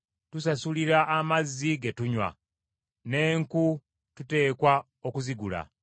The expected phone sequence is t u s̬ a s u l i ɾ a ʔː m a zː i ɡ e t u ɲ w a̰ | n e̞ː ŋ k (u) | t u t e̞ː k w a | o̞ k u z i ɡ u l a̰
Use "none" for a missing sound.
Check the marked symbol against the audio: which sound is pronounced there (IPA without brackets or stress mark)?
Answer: u